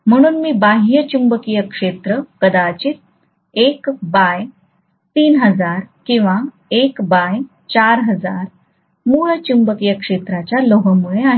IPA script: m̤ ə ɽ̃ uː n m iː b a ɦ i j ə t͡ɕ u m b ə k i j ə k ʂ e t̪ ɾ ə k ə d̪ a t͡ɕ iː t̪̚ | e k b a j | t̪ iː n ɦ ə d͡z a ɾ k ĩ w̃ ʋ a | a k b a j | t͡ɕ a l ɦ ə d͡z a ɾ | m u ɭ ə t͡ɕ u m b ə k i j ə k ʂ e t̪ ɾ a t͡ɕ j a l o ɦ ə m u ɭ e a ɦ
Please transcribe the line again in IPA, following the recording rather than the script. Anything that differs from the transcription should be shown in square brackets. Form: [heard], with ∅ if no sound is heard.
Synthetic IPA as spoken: m̤ ə ɽ̃ uː n m iː b a ɦ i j ə t͡ɕ u m b ə k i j ə k ʂ e t̪ ɾ ə k ə d̪ a t͡ɕ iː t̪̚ | e k b a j | t̪ iː n ɦ ə d͡z a ɾ k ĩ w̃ ʋ a | [e] k b a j | t͡ɕ a [ɾ] ɦ ə d͡z a ɾ | m u ɭ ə t͡ɕ u m b ə k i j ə k ʂ e t̪ ɾ a t͡ɕ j a l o ɦ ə m u ɭ e a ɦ